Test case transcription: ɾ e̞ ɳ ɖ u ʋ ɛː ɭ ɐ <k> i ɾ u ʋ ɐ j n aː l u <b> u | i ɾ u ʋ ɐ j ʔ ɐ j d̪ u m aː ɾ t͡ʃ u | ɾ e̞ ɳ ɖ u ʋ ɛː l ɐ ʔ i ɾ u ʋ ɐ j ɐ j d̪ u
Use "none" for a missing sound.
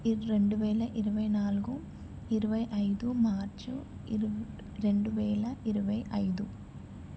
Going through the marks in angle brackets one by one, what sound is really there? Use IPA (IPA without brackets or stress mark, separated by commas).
ʔ, ɡ